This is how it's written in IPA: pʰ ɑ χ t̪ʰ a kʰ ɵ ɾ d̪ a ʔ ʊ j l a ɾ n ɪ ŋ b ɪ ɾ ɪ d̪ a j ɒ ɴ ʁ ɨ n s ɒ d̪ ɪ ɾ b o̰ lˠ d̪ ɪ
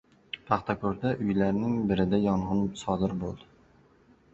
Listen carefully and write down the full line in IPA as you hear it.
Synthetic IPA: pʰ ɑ χ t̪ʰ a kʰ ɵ ɾ d̪ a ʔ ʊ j l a ɾ n ɪ ŋ b ɪ ɾ ɪ d̪ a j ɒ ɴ ʁ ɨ n s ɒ d̪ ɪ ɾ b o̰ lˠ d̪ ɪ